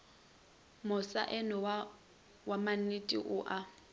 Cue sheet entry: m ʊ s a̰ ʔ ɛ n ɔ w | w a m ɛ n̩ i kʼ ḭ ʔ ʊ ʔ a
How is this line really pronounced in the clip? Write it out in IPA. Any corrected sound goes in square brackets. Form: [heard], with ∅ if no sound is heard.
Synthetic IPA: m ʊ s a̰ ʔ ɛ n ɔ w | w a m [a] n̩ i [tʼ] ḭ ʔ ʊ ʔ a